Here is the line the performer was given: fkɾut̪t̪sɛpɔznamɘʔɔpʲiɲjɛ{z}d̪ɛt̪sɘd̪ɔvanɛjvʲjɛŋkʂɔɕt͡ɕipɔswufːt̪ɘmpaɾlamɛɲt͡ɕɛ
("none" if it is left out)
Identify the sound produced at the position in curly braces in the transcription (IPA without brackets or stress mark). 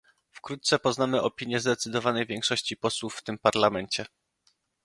z